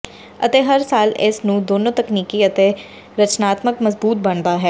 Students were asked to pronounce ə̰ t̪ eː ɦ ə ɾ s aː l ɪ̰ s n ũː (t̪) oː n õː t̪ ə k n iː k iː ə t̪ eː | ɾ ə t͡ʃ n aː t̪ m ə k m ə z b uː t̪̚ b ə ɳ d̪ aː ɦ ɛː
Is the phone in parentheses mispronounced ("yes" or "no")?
yes